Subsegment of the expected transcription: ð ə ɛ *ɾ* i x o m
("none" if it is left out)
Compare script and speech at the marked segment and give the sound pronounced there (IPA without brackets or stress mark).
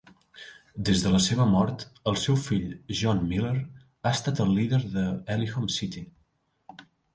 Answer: l